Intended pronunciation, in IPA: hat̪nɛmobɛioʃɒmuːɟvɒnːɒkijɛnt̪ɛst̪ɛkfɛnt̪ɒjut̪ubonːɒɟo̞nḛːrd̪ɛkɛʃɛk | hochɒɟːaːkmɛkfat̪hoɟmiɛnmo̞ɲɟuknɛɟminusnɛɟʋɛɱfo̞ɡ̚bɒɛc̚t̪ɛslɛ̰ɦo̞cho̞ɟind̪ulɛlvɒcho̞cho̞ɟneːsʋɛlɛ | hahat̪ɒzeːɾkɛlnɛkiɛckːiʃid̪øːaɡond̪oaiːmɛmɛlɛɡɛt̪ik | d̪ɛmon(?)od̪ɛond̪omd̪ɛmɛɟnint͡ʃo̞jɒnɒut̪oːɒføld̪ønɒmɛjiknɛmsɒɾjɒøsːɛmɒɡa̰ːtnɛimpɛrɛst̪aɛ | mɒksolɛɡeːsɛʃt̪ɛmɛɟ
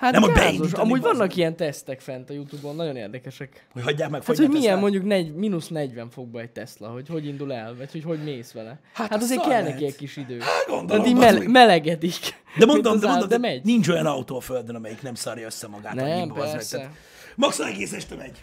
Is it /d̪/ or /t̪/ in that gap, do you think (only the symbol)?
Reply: d̪